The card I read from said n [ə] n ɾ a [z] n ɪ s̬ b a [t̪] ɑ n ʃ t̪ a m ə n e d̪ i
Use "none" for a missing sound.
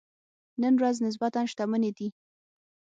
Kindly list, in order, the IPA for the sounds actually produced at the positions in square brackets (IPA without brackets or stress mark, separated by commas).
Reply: ə, z, t̪